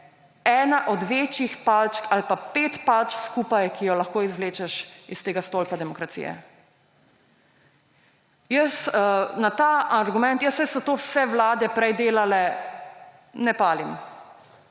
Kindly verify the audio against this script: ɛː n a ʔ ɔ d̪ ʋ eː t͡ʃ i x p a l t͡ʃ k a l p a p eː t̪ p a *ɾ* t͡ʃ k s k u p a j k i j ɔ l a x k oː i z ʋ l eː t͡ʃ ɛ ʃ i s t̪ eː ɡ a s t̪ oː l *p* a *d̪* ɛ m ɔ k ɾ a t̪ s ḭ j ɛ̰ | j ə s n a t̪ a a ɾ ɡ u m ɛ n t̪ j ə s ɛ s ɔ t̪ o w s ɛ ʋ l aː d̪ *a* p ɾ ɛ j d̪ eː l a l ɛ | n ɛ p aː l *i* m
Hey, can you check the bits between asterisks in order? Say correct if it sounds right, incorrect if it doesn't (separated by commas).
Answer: incorrect, correct, correct, incorrect, correct